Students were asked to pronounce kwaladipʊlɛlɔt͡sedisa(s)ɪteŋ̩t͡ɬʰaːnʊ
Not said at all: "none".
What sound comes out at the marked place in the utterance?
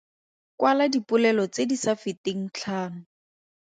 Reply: f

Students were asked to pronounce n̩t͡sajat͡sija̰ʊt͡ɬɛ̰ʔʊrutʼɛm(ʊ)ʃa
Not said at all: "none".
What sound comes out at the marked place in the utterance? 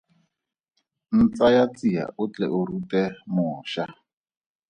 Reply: ʊː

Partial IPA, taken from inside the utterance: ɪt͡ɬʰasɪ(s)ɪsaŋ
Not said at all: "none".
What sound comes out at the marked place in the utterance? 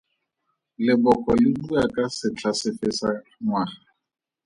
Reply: f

